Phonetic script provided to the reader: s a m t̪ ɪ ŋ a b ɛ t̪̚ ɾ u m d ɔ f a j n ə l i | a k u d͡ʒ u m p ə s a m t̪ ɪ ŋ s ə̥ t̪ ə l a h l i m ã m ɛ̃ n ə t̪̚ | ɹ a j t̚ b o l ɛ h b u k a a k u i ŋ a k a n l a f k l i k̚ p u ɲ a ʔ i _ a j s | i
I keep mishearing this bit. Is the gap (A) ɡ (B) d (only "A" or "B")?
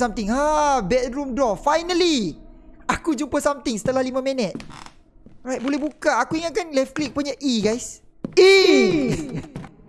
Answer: A